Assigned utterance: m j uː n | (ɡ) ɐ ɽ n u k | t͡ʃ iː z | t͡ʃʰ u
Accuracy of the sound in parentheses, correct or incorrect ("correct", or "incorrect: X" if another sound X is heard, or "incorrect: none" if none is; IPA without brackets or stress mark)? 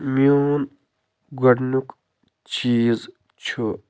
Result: correct